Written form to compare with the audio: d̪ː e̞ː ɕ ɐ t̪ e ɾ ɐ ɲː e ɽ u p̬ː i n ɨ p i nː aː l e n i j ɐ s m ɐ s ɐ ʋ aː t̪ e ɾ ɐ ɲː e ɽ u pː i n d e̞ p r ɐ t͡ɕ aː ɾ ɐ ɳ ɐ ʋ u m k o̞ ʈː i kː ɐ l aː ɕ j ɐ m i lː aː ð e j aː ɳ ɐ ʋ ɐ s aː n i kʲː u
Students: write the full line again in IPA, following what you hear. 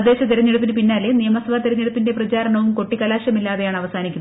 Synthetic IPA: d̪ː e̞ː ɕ ɐ t̪ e ɾ ɐ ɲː e ɽ u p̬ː i n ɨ p i nː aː l e n i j ɐ m ɐ s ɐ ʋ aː t̪ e ɾ ɐ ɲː e ɽ u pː i n d e̞ p r ɐ t͡ɕ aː ɾ ɐ ɳ ɐ ʋ u m k o̞ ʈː i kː ɐ l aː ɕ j ɐ m i lː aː ð e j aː ɳ ɐ ʋ ɐ s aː n i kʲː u